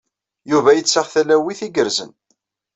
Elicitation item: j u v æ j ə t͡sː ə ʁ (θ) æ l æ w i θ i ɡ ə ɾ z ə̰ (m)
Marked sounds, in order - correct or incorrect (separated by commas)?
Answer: correct, incorrect